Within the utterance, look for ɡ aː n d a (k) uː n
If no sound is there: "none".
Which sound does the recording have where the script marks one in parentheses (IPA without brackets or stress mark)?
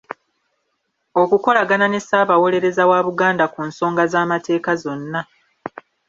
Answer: k